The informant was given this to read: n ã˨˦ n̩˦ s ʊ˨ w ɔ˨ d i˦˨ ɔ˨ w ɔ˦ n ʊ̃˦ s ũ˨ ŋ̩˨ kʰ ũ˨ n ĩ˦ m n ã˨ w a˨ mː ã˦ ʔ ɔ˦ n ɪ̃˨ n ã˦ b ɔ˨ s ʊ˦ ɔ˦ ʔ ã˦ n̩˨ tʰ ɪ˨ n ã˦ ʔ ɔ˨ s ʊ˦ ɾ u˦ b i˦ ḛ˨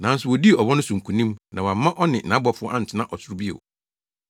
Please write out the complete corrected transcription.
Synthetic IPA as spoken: n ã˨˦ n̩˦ s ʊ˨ w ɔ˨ d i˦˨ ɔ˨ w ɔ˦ n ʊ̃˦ s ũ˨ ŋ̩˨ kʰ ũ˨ n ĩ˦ m n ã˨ w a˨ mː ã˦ ʔ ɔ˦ n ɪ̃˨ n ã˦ b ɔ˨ f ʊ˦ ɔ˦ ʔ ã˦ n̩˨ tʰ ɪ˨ n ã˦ ʔ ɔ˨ s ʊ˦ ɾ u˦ b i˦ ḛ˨